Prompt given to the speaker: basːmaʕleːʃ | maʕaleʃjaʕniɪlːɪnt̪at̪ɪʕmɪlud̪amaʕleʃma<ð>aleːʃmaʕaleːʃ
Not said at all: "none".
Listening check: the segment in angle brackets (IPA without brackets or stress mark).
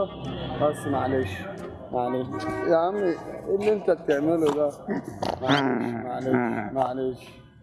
ʕ